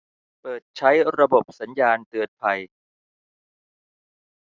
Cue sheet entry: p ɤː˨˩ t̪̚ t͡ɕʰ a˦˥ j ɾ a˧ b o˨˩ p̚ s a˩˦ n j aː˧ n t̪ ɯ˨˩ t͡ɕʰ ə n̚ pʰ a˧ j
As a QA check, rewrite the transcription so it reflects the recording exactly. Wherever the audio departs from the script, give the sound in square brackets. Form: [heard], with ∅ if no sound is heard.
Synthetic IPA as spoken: p ɤː˨˩ t̪̚ t͡ɕʰ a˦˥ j ɾ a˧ b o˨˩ p̚ s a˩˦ n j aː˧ n t̪ ɯ˨˩ [∅] ə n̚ pʰ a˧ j